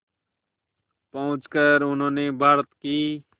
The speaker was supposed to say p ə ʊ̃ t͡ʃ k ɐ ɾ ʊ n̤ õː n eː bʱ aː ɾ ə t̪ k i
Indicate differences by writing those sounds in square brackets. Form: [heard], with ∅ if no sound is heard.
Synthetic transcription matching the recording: p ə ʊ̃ t͡ʃ k [ə] ɾ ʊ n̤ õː n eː bʱ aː ɾ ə t̪ k [iː]